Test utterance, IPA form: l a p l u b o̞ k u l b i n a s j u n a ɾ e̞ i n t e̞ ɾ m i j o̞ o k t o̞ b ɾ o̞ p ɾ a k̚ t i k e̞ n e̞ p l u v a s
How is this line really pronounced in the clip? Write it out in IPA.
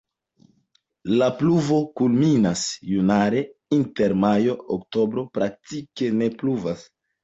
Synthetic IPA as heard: l a p l u v o̞ k u l m i n a s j u n a ɾ e̞ i n t e̞ ɾ m a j o̞ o k t o̞ b ɾ o̞ p ɾ a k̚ t i k e̞ n e̞ p l u v a s

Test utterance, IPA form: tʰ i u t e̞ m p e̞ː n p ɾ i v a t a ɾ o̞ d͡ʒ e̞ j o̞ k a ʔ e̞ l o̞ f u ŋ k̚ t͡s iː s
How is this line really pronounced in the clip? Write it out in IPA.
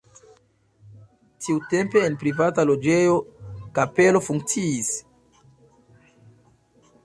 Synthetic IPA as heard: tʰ i u t e̞ m p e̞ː n p ɾ i v a t a l o̞ d͡ʒ e̞ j o̞ k a p e̞ l o̞ f u ŋ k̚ t͡s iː s

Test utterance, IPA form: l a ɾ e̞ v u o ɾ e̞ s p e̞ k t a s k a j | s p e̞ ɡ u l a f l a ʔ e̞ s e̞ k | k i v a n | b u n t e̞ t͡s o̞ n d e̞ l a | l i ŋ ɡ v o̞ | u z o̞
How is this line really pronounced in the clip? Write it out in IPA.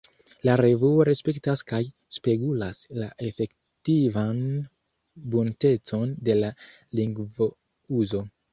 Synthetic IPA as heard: l a ɾ e̞ v u o ɾ e̞ s p e̞ k t a s k a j | s p e̞ ɡ u l a s l a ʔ e̞ f e̞ k | t i v a n | b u n t e̞ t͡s o̞ n d e̞ l a | l i ŋ ɡ v o̞ | u z o̞

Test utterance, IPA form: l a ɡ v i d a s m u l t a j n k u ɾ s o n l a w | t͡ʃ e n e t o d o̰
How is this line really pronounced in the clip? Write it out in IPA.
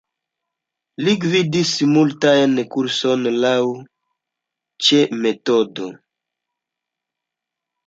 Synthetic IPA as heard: l i ɡ v i d i s m u l t a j n k u ɾ s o n l a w | t͡ʃ e m e t o d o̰

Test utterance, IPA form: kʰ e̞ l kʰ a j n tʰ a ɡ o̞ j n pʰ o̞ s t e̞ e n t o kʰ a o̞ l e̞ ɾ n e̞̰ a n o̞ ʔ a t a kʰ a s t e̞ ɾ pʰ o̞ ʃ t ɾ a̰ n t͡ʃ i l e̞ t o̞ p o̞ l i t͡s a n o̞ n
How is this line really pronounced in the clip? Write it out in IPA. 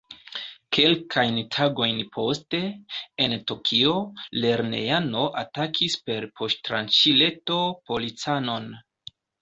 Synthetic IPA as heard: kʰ e̞ l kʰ a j n tʰ a ɡ o̞ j n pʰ o̞ s t e̞ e n t o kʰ i o̞ l e̞ ɾ n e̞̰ a n o̞ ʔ a t a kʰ i s p e̞ ɾ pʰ o̞ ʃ t ɾ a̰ n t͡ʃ i l e̞ t o̞ p o̞ l i t͡s a n o̞ n

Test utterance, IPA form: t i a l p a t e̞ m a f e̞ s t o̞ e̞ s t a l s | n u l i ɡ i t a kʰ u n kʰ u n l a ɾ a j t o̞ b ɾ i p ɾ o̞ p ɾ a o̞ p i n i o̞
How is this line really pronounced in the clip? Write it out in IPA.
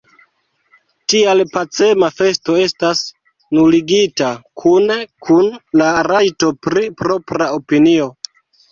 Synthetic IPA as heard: t i a l p a t͡s e̞ m a f e̞ s t o̞ e̞ s t a s | n u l i ɡ i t a kʰ u n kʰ u n l a ɾ a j t o̞ p ɾ i p ɾ o̞ p ɾ a o̞ p i n i o̞

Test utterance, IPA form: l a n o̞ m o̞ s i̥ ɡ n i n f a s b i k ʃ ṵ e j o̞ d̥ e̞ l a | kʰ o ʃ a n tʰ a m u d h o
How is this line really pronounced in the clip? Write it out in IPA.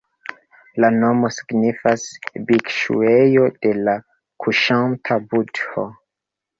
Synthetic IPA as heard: l a n o̞ m o̞ s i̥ ɡ n i f a s b i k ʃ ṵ e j o̞ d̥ e̞ l a | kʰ u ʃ a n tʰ a b u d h o

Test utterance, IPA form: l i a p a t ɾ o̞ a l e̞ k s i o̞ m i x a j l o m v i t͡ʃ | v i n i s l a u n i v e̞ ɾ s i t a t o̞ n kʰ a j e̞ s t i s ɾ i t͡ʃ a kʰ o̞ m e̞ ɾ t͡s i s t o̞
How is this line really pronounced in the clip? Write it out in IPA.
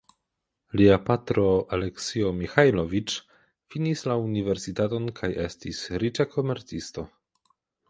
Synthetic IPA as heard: l i a p a t ɾ o̞ a l e̞ k s i o̞ m i x a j l o v i t͡ʃ | f i n i s l a u n i v e̞ ɾ s i t a t o̞ n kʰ a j e̞ s t i s ɾ i t͡ʃ a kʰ o̞ m e̞ ɾ t͡s i s t o̞

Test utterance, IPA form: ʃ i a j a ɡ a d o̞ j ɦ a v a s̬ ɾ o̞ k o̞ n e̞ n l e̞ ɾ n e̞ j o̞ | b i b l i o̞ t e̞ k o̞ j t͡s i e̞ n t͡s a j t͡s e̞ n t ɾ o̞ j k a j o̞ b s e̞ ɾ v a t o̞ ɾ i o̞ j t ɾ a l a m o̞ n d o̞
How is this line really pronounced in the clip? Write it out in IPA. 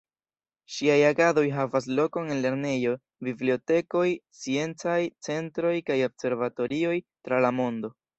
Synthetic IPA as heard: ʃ i a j a ɡ a d o̞ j ɦ a v a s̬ l o̞ k o̞ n e̞ n l e̞ ɾ n e̞ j o̞ | b i b l i o̞ t e̞ k o̞ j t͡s i e̞ n t͡s a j t͡s e̞ n t ɾ o̞ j k a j o̞ b s e̞ ɾ v a t o̞ ɾ i o̞ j t ɾ a l a m o̞ n d o̞

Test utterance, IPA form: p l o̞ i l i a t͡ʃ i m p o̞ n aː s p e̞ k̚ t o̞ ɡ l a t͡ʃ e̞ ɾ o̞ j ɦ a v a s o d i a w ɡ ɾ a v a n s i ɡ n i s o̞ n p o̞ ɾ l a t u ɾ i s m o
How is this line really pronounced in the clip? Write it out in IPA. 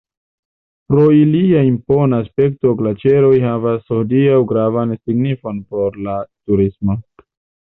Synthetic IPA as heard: p ɾ o̞ i l i a i m p o̞ n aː s p e̞ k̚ t o̞ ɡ l a t͡ʃ e̞ ɾ o̞ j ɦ a v a s o d i a w ɡ ɾ a v a n s i ɡ n i f o̞ n p o̞ ɾ l a t u ɾ i s m o

